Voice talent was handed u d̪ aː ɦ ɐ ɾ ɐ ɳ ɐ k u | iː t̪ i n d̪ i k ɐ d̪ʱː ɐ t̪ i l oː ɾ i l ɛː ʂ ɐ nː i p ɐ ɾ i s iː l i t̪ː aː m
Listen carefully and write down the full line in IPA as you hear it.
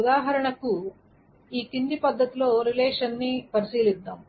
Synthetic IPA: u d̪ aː ɦ ɐ ɾ ɐ ɳ ɐ k u | iː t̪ i n d̪ i p ɐ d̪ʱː ɐ t̪ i l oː ɾ i l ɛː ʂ ɐ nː i p ɐ ɾ i s iː l i d̪ː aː m